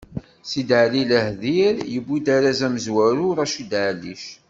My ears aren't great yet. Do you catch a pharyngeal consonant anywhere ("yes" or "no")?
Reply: yes